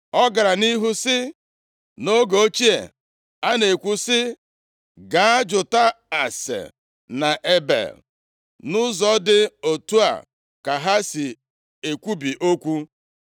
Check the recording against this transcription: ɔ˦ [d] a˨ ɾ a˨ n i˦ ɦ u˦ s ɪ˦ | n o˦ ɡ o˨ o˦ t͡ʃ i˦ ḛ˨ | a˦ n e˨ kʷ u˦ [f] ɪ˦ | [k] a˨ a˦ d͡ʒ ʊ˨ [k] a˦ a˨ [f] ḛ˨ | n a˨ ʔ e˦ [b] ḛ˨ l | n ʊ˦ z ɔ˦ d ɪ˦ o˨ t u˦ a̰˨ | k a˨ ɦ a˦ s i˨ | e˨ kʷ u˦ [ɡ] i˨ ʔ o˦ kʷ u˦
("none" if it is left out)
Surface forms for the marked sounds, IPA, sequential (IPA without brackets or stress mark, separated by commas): ɡ, s, ɡ, t, s, b, b